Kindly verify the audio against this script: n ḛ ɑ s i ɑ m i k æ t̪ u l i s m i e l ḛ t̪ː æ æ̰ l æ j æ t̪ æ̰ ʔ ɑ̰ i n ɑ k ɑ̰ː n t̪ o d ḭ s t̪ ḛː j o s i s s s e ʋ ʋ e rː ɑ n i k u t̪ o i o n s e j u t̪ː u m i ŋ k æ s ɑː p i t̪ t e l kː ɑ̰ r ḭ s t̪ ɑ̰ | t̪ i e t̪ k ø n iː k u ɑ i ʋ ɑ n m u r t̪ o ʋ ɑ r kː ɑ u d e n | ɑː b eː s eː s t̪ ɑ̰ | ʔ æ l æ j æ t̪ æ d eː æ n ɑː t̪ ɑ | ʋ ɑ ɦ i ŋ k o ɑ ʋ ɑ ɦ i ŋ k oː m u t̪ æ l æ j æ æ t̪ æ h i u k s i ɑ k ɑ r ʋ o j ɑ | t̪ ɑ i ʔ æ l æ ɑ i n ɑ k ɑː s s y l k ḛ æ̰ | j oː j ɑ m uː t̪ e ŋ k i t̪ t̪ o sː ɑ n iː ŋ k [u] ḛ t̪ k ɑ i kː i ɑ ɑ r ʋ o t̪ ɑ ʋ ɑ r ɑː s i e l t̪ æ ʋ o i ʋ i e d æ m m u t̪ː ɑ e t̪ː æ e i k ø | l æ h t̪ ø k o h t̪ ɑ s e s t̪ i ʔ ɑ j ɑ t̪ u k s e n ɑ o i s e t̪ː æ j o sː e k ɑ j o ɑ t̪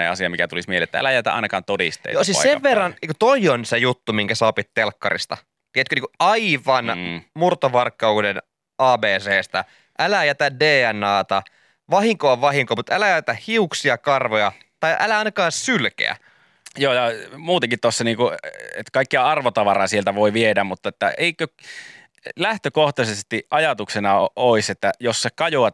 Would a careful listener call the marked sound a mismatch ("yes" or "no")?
no